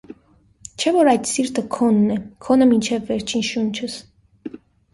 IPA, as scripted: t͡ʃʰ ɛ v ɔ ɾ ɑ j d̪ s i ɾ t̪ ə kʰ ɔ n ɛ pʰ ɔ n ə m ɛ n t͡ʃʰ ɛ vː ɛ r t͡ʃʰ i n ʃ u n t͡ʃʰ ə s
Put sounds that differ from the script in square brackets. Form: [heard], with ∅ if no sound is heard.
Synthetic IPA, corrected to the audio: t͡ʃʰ ɛ v ɔ ɾ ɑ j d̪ s i ɾ t̪ ə kʰ ɔ [nː] ɛ [kʰ] ɔ n ə m [i] n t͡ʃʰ ɛ vː ɛ [ɾ] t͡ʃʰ i n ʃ u n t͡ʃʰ ə s